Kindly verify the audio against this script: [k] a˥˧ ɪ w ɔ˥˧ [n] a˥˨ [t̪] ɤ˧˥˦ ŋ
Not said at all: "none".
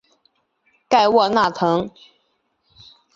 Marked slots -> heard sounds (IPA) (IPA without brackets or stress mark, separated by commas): k, n, t̪ʰ